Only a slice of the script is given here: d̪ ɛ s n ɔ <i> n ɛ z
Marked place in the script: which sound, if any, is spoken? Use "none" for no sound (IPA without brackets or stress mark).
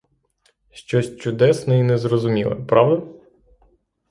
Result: i